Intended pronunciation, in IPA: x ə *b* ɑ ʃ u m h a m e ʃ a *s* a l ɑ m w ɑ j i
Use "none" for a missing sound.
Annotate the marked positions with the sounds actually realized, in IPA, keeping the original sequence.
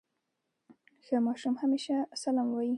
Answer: m, s

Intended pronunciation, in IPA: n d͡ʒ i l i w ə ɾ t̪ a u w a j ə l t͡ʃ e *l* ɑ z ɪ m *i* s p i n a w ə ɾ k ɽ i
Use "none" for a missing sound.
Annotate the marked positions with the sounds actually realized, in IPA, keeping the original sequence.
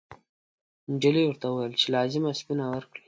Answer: l, a

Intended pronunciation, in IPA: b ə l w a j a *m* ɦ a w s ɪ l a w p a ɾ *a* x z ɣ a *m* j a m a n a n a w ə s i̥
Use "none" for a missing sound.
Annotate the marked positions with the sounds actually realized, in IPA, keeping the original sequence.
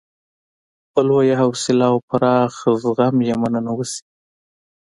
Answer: none, ɑ, m

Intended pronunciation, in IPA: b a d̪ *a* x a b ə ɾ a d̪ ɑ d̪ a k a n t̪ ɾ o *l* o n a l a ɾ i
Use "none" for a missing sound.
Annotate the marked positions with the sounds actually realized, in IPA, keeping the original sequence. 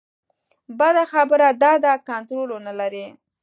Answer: a, l

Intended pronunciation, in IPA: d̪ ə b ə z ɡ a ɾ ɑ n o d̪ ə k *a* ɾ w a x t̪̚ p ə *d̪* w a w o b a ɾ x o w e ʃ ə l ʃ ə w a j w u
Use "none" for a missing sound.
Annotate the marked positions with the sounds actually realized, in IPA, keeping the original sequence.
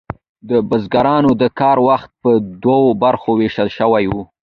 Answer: ɑ, d̪

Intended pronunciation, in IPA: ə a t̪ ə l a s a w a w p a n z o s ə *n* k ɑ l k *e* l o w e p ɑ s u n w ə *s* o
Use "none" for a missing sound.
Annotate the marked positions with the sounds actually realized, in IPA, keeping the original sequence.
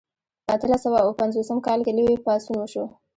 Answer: m, e, ʃ

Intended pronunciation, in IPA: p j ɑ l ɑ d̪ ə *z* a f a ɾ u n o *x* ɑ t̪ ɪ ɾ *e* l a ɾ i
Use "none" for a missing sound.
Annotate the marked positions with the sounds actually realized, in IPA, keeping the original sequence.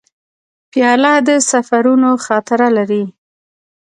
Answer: s, x, a

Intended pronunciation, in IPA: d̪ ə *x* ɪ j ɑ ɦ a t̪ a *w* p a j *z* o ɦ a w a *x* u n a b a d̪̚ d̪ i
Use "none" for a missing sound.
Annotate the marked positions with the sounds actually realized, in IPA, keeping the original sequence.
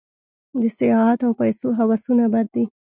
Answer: s, w, s, s

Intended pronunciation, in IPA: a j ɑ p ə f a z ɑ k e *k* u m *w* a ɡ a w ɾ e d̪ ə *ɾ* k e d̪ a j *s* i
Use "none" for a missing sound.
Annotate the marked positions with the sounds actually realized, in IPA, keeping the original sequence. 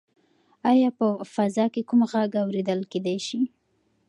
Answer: k, ɣ, l, ʃ

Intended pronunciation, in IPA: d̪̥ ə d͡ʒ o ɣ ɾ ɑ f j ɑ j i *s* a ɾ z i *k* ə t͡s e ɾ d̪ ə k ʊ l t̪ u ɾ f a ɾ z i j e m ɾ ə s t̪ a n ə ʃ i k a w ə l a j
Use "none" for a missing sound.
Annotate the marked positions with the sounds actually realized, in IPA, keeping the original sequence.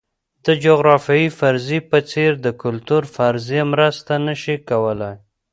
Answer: f, p

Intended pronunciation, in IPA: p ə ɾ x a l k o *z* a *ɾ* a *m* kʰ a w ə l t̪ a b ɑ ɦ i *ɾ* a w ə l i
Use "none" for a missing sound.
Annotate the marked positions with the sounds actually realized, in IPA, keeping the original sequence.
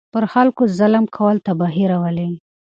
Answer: z, l, m, ɾ

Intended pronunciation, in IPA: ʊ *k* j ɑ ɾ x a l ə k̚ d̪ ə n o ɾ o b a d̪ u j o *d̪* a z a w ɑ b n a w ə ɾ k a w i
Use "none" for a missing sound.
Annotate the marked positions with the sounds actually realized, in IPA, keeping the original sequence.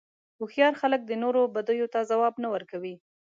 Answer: x, t̪

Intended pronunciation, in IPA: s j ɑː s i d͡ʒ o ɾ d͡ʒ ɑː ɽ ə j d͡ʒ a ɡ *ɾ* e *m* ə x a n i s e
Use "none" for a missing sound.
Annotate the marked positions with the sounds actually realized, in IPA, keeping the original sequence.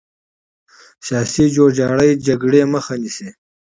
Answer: ɽ, m

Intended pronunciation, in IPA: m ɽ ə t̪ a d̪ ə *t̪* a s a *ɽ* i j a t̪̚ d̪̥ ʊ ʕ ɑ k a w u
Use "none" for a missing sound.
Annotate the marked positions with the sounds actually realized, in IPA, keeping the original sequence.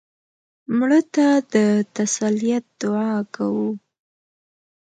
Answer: t̪, l

